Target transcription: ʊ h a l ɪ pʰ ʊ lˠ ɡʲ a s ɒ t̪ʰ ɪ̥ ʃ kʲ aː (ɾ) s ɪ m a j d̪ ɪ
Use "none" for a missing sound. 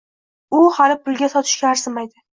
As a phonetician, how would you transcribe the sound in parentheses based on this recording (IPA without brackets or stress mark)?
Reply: ɾ